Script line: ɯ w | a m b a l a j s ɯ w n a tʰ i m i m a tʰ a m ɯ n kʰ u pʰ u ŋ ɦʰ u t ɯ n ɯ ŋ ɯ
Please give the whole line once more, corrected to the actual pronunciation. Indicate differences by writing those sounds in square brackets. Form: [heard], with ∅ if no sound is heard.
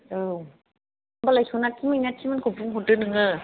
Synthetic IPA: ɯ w | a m b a l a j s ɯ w n a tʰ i m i [n] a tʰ [i] m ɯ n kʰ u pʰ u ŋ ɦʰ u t ɯ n ɯ ŋ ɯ

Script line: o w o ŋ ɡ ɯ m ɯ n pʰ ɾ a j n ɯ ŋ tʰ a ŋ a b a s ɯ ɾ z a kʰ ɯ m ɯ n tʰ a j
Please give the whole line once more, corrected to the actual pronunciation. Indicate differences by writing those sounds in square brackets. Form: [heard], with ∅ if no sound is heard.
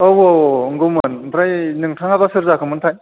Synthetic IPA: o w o ŋ ɡ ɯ m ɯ n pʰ ɾ a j n ɯ ŋ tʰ a ŋ a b a s ɯ ɾ z a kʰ ɯ m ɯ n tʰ a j

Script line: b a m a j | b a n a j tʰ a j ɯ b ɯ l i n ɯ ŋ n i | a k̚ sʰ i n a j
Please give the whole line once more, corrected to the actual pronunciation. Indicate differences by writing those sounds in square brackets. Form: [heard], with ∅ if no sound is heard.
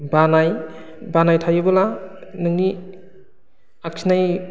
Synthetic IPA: b a [n] a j | b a n a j tʰ a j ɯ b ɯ l [a] n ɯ ŋ n i | a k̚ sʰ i n a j

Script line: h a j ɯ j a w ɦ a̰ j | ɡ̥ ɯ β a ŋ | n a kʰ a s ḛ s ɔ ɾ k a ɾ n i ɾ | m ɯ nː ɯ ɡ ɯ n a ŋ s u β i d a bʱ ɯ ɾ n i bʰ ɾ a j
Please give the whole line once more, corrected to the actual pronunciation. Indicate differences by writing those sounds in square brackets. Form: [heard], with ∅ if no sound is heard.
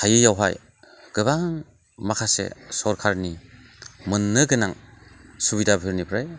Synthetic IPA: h a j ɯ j a w ɦ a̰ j | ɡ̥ ɯ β a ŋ | [m] a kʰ a s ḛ s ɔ ɾ [kʰ] a ɾ n i [∅] | m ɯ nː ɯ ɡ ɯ n a ŋ s u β i d a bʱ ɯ ɾ n i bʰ ɾ a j

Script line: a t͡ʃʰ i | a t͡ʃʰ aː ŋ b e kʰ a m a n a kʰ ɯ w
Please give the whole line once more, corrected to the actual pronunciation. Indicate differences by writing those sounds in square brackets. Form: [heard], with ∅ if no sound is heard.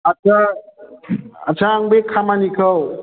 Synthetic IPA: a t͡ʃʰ [a] | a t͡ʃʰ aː ŋ b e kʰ a m a n [i] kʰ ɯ w

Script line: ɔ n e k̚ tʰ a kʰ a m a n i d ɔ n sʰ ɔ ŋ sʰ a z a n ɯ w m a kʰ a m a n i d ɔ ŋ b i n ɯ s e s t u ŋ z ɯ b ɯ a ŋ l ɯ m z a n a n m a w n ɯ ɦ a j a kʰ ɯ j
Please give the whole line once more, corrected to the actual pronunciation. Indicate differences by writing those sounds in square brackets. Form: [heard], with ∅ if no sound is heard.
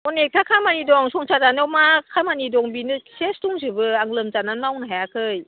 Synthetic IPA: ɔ n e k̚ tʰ a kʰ a m a n i d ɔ [ŋ] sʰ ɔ ŋ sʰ a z a n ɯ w m a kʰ a m a n i d ɔ ŋ b i n ɯ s e s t u ŋ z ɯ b ɯ a ŋ l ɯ m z a n a n m a w n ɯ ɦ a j a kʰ ɯ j

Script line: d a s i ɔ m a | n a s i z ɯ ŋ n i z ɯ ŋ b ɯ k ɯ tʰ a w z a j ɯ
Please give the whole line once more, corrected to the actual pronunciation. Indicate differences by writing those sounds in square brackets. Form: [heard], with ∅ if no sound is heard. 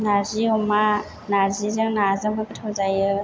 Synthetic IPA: [n] a [z] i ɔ m a | n a [z] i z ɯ ŋ n [a] z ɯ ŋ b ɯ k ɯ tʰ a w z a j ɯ

